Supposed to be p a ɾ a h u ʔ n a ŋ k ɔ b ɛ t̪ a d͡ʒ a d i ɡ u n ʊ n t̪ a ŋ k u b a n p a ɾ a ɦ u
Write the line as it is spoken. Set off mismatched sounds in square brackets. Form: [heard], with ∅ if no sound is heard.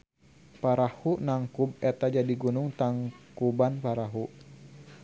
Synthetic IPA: p a ɾ a h u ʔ n a ŋ k [u] b ɛ t̪ a d͡ʒ a d i ɡ u n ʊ [ŋ] t̪ a ŋ k u b a n p a ɾ a ɦ u